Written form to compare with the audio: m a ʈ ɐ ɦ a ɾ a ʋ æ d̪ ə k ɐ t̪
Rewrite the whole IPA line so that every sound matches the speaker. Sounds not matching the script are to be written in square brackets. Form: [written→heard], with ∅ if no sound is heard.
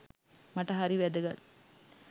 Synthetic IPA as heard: m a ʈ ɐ ɦ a ɾ [a→i] ʋ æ d̪ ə [k→ɡ] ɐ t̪